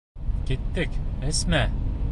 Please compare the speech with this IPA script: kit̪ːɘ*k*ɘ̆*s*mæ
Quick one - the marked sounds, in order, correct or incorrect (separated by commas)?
correct, correct